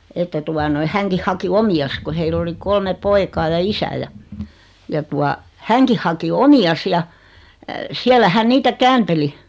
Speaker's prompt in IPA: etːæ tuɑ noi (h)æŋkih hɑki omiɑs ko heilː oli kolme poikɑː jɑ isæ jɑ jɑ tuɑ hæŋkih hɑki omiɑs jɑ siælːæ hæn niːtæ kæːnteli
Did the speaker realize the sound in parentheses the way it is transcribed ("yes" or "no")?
yes